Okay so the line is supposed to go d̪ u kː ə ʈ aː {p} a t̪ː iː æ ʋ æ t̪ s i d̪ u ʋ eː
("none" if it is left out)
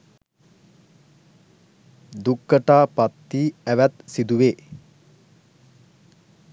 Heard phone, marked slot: p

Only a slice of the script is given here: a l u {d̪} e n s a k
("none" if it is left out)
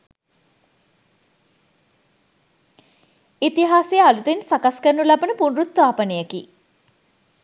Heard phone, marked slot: t̪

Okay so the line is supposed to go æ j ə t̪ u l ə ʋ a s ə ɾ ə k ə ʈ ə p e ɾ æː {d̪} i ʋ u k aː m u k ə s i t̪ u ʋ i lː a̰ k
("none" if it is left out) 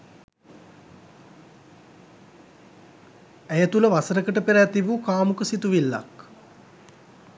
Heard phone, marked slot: t̪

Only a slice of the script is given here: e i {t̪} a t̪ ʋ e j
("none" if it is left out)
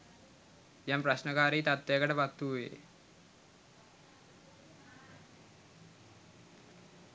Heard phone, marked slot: t̪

